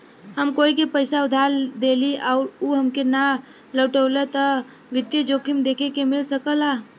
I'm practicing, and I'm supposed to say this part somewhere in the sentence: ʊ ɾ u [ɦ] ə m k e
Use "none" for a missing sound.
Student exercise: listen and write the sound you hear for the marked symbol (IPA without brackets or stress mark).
ɦ